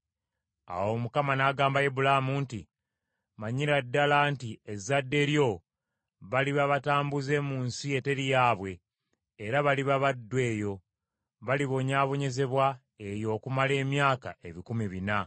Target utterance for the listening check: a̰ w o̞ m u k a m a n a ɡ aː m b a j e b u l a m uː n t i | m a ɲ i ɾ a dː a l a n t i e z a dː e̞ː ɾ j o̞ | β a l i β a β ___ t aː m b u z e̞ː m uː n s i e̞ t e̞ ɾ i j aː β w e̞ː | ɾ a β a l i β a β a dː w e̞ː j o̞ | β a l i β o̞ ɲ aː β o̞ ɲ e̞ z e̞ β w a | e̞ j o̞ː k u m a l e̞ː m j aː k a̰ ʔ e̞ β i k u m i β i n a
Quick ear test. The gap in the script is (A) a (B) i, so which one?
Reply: A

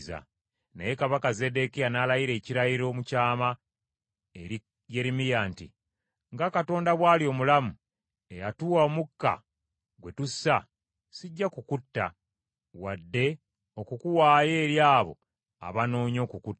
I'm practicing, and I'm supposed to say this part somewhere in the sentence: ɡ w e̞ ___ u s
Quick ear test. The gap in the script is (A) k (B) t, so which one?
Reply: B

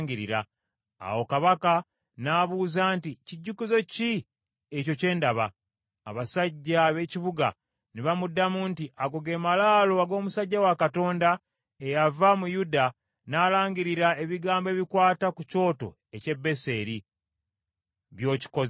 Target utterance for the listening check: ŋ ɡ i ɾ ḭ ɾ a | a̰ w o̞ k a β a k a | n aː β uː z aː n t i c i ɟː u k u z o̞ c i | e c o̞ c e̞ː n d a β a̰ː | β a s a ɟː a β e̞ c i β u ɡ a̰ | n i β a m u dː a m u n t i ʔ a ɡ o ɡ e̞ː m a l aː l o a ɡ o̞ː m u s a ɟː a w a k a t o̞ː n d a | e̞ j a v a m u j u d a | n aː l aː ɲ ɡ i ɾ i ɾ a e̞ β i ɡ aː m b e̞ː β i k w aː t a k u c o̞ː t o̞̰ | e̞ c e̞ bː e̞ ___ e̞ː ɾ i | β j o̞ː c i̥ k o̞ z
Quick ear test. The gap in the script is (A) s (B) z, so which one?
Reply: A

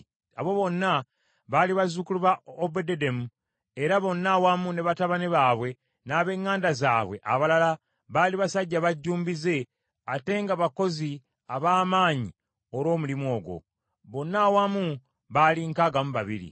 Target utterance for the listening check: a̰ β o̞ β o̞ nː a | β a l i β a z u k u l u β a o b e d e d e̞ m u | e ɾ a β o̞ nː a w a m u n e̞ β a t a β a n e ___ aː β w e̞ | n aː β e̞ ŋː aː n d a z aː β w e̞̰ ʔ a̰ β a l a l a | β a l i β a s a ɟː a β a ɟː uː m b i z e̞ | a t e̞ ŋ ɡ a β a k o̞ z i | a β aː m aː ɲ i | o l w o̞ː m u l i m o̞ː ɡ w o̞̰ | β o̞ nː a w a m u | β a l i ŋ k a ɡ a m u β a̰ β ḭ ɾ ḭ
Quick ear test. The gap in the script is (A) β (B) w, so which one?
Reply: A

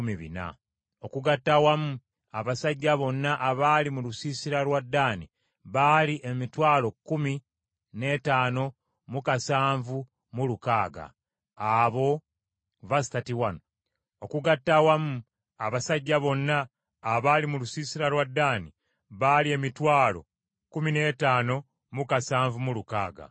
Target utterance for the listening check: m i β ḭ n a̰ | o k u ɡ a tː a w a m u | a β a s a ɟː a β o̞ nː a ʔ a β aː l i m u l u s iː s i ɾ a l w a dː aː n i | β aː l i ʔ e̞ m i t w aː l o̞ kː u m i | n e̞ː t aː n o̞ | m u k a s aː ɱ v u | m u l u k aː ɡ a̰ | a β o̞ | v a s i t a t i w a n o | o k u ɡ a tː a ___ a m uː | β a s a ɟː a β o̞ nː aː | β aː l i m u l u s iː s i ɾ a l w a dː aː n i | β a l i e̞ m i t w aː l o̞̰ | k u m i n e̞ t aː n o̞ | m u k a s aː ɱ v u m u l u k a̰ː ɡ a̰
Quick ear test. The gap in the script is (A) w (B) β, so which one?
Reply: A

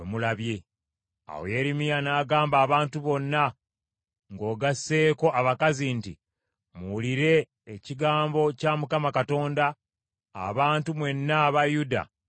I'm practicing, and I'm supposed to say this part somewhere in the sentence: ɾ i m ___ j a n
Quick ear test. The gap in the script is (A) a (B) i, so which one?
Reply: B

